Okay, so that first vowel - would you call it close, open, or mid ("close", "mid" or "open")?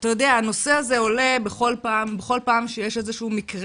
open